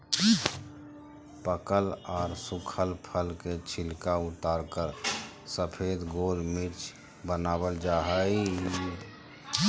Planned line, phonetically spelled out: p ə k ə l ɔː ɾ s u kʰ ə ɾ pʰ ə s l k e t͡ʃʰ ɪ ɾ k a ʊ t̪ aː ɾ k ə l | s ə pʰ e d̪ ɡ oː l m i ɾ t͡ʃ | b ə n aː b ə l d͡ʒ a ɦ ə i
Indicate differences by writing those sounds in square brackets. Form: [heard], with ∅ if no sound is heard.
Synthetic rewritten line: p ə k ə l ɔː ɾ s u kʰ ə [l] pʰ ə [∅] l k e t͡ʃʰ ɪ [l] k a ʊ t̪ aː ɾ k ə [ɾ] | s ə pʰ e d̪ ɡ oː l m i ɾ t͡ʃ | b ə n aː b ə l d͡ʒ a ɦ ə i